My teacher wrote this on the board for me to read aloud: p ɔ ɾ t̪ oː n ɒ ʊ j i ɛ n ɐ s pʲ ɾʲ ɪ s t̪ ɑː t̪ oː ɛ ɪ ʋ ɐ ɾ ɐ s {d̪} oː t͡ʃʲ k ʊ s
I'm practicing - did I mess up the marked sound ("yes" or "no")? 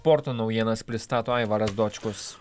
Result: no